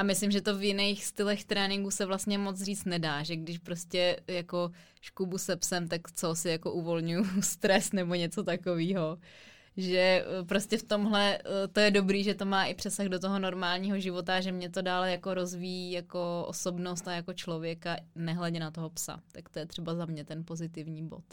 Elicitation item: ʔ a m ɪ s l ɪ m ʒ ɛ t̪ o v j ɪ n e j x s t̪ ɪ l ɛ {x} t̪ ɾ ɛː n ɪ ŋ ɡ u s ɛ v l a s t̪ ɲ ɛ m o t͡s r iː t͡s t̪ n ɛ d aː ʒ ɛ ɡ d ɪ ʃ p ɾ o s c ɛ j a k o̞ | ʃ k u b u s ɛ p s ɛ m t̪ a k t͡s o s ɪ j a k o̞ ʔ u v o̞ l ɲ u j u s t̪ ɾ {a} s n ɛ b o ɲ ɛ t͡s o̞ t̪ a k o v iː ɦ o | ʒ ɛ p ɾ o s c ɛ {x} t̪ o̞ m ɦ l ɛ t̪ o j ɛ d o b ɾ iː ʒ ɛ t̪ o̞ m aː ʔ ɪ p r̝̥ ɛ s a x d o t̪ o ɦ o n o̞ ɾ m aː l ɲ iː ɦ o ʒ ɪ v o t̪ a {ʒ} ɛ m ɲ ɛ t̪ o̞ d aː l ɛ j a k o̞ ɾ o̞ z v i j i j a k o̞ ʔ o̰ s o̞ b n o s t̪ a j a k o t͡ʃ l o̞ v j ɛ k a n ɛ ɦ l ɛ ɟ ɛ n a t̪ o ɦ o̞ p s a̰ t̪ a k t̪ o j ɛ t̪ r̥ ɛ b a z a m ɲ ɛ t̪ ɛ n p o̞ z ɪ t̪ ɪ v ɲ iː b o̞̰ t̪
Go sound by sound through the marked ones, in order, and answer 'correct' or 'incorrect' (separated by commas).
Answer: correct, incorrect, incorrect, correct